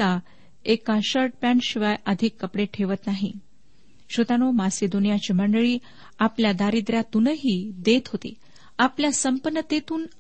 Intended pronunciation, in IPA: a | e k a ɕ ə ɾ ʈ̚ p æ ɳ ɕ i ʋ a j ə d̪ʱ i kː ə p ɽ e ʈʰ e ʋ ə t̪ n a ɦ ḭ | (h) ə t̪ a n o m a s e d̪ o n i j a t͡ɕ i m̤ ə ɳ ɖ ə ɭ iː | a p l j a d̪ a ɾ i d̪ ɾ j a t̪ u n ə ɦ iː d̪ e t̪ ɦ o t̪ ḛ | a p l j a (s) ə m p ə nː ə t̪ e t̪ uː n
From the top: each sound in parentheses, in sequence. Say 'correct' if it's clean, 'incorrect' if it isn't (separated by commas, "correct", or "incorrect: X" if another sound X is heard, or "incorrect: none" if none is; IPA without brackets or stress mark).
incorrect: ɕ, correct